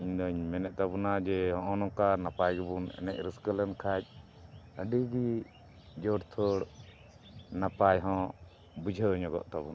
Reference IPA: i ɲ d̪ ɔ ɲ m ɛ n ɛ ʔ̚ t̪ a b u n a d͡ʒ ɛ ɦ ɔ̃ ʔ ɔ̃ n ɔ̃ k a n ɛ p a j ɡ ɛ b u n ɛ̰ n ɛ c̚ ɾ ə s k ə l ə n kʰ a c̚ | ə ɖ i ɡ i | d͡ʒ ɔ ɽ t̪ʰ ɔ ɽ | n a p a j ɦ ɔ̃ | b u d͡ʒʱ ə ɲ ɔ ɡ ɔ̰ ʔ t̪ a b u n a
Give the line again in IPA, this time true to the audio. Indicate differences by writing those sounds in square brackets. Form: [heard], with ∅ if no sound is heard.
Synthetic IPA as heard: i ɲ d̪ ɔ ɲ m ɛ n ɛ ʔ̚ t̪ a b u n a d͡ʒ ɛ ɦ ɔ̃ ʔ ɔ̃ n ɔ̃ k a n [a] p a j ɡ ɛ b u n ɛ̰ n ɛ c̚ ɾ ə s k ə l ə n kʰ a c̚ | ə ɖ i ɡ i | d͡ʒ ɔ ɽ t̪ʰ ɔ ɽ | n a p a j ɦ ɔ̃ | b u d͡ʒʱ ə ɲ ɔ ɡ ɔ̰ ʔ t̪ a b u n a